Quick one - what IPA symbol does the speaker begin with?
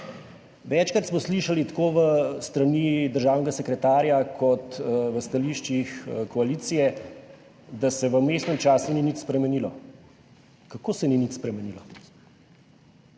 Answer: ʋ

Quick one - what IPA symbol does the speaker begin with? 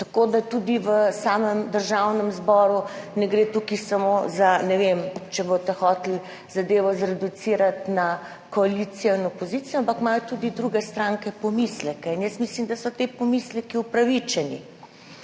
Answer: t̪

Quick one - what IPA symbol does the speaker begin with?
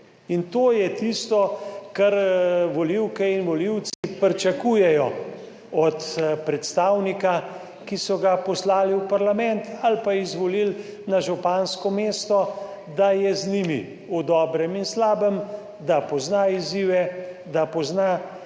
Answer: i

